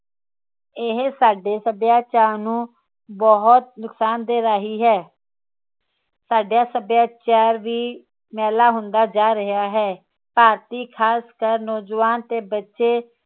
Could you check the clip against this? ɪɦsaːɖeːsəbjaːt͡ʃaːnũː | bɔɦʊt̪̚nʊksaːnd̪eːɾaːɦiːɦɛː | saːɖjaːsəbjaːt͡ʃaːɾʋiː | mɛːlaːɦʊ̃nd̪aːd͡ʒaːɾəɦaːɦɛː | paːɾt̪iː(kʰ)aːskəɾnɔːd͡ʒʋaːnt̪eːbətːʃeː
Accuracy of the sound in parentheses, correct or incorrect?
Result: correct